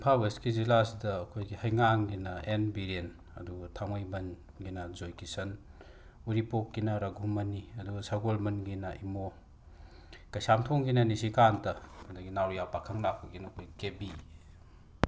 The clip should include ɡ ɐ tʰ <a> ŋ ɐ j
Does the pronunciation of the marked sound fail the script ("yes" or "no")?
no